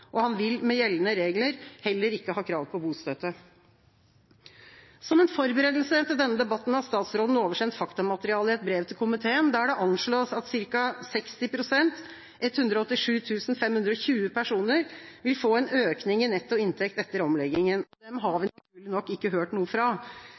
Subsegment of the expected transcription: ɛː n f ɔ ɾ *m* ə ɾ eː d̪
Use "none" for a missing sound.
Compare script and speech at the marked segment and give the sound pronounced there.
b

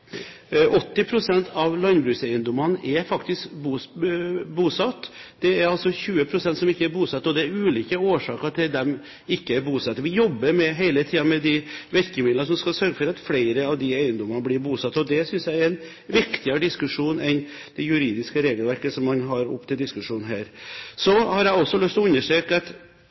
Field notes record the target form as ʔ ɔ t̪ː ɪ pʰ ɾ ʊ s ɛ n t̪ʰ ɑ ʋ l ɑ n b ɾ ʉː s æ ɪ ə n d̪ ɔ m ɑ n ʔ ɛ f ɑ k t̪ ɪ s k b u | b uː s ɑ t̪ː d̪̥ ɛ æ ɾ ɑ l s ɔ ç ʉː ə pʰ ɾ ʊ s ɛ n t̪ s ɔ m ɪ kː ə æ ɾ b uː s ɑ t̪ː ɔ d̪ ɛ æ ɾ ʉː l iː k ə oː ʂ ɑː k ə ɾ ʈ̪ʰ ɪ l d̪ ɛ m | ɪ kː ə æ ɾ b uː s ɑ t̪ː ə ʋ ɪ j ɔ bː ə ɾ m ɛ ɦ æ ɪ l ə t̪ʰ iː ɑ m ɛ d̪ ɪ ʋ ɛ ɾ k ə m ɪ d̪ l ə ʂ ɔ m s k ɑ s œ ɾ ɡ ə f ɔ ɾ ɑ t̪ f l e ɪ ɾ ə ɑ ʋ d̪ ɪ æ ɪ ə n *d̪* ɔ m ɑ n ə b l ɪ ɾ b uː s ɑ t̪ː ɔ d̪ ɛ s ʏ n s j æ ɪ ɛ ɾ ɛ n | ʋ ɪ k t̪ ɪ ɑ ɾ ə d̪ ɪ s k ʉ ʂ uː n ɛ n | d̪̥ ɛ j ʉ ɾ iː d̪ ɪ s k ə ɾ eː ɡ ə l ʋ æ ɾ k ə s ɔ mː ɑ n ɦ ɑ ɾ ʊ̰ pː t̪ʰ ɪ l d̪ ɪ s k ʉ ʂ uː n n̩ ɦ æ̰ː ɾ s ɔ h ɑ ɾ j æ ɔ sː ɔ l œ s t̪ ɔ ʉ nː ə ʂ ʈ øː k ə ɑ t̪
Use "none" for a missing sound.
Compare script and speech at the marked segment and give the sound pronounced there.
d̪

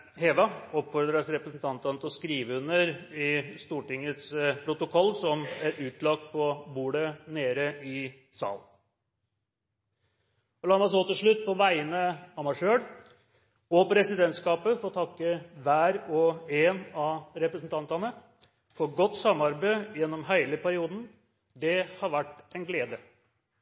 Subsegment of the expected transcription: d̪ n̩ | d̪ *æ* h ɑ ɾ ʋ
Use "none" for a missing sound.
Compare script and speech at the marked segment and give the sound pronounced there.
ɛ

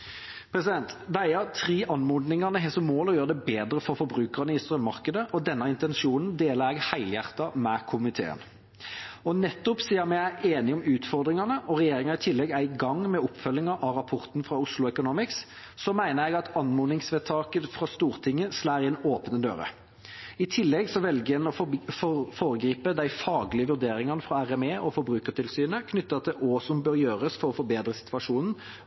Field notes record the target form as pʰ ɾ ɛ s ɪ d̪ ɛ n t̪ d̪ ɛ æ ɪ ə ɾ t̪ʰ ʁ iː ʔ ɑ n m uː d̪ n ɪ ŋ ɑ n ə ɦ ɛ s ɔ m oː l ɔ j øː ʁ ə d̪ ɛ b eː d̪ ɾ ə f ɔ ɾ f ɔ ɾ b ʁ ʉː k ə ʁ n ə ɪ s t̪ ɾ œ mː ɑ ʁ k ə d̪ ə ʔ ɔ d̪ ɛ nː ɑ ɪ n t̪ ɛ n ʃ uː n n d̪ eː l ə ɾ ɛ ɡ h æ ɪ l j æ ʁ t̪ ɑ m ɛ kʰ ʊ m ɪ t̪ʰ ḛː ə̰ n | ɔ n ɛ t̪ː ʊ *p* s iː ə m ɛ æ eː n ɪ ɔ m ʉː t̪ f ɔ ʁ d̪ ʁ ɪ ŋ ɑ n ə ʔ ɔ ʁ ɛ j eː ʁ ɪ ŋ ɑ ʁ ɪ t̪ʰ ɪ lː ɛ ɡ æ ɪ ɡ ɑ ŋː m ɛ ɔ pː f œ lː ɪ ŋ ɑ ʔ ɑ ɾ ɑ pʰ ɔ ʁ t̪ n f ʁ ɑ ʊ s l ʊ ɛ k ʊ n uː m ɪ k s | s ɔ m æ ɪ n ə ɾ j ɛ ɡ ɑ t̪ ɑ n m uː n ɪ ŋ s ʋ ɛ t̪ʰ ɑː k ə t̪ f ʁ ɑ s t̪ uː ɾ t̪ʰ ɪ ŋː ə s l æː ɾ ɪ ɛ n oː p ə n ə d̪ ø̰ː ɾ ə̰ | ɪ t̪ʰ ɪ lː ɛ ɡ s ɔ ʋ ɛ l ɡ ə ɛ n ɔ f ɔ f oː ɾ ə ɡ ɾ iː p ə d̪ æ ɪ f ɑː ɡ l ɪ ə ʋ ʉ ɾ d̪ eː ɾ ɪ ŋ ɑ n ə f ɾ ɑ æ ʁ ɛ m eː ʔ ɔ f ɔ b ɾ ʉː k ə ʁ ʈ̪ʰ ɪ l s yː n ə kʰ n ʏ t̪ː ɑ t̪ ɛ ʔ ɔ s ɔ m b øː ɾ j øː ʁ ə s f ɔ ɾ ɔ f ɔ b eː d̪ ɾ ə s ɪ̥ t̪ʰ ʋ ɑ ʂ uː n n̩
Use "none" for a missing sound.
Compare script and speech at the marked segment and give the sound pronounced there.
p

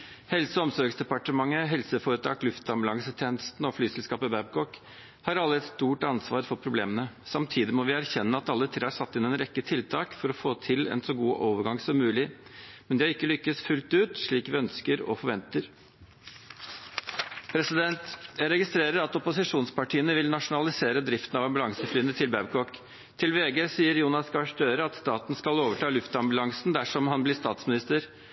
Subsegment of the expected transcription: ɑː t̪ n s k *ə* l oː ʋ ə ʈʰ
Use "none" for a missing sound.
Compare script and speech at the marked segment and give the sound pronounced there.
ɑ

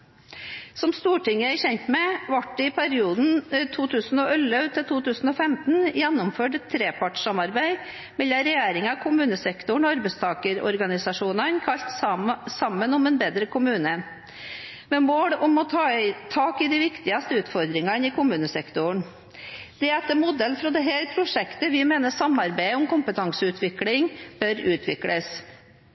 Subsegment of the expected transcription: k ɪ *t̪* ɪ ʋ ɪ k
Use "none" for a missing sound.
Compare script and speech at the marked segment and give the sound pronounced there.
d̪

